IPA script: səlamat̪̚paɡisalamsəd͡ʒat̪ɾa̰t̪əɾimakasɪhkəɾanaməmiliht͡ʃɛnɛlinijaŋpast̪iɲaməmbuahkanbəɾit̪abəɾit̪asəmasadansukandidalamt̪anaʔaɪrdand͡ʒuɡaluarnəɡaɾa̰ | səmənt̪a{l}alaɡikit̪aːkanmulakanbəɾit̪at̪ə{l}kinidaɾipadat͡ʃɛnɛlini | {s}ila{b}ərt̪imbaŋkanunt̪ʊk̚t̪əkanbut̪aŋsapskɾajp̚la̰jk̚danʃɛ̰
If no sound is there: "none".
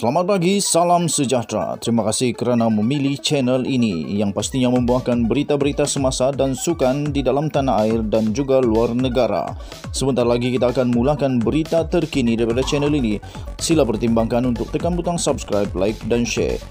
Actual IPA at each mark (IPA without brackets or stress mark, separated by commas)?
ɾ, r, s, p